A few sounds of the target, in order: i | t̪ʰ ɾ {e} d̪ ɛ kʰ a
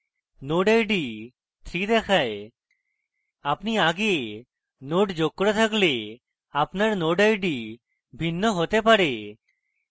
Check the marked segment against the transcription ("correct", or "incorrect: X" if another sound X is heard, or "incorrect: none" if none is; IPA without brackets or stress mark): incorrect: i